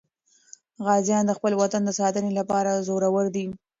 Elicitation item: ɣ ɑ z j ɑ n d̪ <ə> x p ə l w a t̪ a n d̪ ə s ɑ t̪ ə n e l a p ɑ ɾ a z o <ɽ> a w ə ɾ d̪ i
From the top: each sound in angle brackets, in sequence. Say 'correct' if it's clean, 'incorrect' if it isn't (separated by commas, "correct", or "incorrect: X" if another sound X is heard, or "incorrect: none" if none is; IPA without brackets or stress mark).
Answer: correct, incorrect: ɾ